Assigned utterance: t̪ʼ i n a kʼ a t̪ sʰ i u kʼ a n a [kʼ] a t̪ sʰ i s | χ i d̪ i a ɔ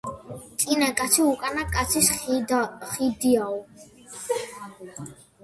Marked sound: correct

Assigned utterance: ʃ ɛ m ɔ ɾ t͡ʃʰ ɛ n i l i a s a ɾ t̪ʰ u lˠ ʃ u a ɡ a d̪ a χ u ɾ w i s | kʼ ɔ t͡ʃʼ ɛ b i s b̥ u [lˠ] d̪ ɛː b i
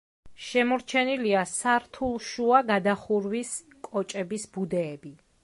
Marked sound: incorrect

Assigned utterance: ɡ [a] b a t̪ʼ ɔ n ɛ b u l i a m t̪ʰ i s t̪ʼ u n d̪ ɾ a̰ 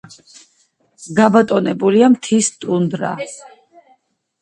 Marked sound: correct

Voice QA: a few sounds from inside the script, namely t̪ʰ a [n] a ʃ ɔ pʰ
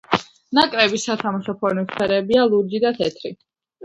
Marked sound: incorrect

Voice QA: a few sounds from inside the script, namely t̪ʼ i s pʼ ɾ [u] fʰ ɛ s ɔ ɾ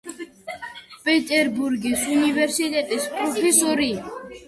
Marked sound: incorrect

